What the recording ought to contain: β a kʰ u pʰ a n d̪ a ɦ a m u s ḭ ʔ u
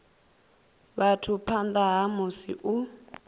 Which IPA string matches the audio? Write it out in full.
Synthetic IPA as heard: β a tʰ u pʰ a n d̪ a ɦ a m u s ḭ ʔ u